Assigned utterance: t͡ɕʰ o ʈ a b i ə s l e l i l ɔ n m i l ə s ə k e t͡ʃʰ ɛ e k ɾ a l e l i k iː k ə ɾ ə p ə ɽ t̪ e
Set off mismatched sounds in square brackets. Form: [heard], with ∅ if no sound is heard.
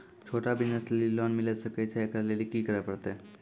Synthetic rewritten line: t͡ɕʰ o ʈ a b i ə s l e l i l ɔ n m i l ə s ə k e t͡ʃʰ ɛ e k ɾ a l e l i k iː k ə ɾ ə p ə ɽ t̪ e